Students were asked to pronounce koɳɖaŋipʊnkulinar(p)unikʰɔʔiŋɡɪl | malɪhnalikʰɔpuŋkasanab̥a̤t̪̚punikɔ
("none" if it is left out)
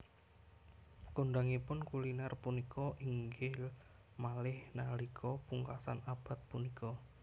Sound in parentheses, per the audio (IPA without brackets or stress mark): p